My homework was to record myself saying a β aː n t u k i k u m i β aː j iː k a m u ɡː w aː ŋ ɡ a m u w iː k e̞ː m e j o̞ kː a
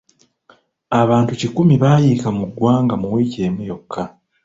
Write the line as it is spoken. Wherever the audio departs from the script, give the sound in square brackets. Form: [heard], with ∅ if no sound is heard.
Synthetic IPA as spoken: a β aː n t u [c] i k u m i β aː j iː k a m u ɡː w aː ŋ ɡ a m u w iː [c] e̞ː m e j o̞ kː a